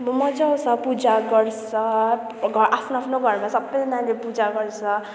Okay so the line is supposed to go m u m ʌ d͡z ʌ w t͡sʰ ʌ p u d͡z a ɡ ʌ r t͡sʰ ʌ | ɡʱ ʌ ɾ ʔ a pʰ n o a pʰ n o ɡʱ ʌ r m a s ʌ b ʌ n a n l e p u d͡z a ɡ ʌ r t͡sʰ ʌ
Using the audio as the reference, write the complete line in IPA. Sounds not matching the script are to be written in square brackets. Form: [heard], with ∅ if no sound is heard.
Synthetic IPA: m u m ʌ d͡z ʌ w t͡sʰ ʌ p u d͡z a ɡ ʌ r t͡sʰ ʌ | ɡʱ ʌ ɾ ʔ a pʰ n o a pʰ n o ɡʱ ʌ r m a s ʌ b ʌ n a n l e p u d͡z a ɡ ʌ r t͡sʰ ʌ